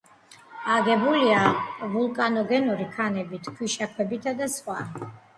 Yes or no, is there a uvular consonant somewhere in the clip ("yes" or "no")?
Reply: yes